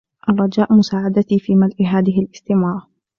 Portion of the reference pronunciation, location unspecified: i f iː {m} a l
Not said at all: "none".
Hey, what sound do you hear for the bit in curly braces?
m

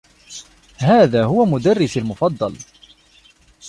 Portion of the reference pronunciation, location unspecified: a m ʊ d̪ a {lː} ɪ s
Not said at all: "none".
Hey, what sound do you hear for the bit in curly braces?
rː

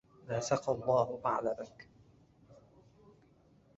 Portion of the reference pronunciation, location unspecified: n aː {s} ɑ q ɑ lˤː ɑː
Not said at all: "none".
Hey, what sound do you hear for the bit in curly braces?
s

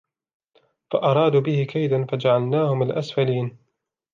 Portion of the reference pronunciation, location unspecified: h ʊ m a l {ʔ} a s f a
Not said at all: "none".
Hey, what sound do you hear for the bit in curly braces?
ʔ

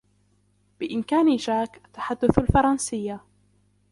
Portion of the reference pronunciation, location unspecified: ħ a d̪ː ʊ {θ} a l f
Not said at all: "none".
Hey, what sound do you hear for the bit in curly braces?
θ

